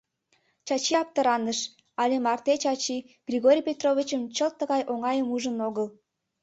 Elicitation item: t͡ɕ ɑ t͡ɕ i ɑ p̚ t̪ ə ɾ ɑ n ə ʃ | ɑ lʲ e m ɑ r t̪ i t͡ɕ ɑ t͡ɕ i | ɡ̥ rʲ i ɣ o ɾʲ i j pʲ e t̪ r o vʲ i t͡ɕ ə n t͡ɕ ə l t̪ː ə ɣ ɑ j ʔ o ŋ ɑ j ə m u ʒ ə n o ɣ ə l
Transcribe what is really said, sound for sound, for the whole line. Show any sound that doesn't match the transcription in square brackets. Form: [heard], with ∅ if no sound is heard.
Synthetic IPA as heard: t͡ɕ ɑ t͡ɕ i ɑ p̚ t̪ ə ɾ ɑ n ə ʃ | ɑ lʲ e m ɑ r t̪ [e] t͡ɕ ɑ t͡ɕ i | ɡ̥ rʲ i ɣ o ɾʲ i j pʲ e t̪ r o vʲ i t͡ɕ ə [m] t͡ɕ ə l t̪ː ə ɣ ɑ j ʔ o ŋ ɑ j ə m u ʒ ə n o ɣ ə l